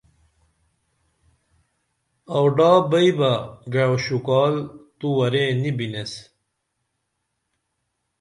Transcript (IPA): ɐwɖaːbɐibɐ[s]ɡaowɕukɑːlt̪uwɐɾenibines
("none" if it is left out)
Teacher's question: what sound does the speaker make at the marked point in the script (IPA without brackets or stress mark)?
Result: none